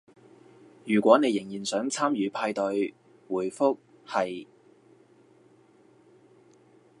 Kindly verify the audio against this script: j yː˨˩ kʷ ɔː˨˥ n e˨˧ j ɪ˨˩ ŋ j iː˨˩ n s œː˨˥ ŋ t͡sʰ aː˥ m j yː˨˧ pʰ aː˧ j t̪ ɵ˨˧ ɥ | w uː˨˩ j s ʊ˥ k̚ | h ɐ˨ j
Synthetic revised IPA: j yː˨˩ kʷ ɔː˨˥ n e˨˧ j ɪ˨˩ ŋ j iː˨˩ n s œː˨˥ ŋ t͡sʰ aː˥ m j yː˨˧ pʰ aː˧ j t̪ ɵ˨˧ ɥ | w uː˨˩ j f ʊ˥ k̚ | h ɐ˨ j